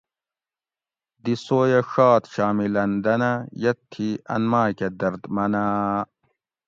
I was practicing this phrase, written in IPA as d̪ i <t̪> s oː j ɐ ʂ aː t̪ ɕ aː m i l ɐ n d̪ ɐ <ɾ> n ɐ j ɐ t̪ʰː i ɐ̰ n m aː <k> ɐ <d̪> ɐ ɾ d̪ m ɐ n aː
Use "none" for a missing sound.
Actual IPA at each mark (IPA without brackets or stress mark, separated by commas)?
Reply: none, none, k, d̪